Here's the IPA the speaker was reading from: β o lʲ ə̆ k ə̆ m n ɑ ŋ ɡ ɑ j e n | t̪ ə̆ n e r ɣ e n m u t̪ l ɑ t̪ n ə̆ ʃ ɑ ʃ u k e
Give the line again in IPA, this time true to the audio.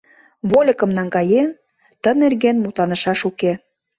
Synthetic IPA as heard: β o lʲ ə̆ k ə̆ m n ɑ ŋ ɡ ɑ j e n | t̪ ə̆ n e r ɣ e n m u t̪ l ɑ n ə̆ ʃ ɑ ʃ u k e

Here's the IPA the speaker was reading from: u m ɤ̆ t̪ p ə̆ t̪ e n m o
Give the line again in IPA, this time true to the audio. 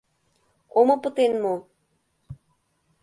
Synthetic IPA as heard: o m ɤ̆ p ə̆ t̪ e n m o

